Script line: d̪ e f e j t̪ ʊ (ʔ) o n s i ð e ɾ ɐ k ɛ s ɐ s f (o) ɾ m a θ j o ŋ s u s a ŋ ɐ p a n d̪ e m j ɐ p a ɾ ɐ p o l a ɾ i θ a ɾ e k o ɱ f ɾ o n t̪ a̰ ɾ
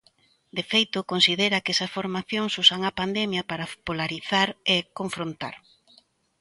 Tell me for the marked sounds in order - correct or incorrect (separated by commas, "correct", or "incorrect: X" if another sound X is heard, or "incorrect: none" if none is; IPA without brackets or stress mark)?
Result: incorrect: k, correct